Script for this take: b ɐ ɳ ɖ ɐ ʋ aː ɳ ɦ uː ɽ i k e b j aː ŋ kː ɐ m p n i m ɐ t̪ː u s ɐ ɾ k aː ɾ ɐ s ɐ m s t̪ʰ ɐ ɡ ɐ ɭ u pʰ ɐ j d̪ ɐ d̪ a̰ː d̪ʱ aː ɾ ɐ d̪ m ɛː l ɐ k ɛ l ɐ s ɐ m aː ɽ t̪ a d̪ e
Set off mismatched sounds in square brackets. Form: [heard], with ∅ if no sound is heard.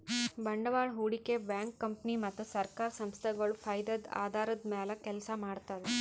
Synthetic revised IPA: b ɐ ɳ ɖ ɐ ʋ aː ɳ ɦ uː ɽ i k e b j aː ŋ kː ɐ m p n i m ɐ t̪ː u s ɐ ɾ k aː ɾ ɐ s ɐ m s t̪ʰ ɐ ɡ ɐ ɭ u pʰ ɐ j d̪ ɐ d̪ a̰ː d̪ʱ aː ɾ ɐ d̪ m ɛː l ɐ k ɛ l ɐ s ɐ m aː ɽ t̪ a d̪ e